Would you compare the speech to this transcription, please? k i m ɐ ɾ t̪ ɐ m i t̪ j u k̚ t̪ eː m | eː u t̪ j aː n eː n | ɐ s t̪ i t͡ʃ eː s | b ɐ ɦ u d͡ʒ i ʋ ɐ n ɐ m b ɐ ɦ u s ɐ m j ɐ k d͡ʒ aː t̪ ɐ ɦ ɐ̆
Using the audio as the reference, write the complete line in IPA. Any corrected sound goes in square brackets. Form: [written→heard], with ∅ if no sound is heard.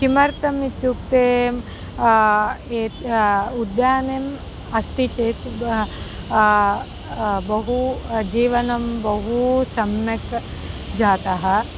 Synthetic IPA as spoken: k i m ɐ ɾ t̪ ɐ m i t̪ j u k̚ t̪ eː m | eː u [t̪→d̪] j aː n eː [n→m] | ɐ s t̪ i t͡ʃ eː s | b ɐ ɦ u d͡ʒ [i→iː] ʋ ɐ n ɐ m b ɐ ɦ u s ɐ m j ɐ k d͡ʒ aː t̪ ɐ ɦ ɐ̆